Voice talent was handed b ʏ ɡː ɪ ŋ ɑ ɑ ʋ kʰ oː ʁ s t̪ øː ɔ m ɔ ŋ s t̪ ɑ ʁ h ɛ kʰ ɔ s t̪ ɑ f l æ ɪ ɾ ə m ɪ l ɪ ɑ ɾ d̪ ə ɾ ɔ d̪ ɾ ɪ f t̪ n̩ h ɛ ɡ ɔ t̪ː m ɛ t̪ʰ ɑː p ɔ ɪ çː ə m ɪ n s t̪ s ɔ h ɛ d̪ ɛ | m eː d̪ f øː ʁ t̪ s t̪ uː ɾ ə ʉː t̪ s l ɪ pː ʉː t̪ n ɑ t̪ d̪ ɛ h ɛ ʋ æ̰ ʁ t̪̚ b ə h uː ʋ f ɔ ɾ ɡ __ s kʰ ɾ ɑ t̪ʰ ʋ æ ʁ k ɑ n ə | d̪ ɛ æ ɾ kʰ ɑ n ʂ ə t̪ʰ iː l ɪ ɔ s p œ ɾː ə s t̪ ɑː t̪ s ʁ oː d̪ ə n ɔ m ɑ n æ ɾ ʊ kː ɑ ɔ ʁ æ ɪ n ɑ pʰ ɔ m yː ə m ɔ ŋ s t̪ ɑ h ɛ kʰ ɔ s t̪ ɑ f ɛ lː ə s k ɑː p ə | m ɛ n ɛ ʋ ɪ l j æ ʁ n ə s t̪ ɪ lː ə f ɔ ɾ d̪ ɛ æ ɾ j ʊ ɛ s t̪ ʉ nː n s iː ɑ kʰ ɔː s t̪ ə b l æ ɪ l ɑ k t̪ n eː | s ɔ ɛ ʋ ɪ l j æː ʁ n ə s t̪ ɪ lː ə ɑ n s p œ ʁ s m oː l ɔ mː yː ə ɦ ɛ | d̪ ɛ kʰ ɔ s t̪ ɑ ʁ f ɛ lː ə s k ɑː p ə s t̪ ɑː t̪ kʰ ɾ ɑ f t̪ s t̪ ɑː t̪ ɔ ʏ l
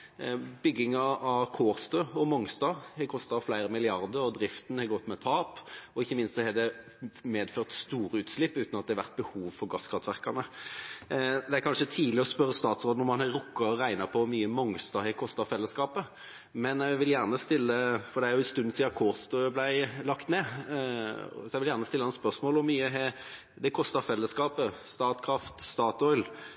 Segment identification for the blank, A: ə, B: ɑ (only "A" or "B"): B